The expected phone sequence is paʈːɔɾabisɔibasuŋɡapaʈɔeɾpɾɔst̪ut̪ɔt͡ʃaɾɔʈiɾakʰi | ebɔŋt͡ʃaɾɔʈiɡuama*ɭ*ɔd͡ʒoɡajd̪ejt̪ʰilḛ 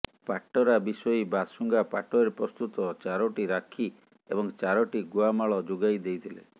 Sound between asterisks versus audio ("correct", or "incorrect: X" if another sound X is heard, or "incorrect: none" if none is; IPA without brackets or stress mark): correct